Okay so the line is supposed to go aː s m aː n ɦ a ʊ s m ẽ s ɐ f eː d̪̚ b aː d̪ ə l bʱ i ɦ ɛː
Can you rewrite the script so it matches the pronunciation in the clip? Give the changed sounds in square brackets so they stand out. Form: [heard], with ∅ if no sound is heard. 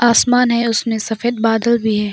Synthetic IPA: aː s m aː n ɦ [ɛ] ʊ s m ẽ s ɐ f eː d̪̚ b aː d̪ ə l bʱ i ɦ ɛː